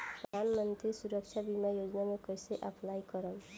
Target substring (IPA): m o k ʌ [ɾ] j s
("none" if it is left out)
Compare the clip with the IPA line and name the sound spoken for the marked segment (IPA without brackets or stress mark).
none